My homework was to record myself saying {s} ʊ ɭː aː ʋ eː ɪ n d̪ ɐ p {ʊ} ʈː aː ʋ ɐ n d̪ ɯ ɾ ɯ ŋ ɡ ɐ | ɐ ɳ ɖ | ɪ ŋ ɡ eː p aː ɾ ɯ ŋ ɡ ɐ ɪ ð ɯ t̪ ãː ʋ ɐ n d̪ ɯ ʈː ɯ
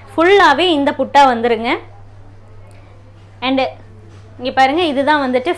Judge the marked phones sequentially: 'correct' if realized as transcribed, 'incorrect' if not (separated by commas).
incorrect, correct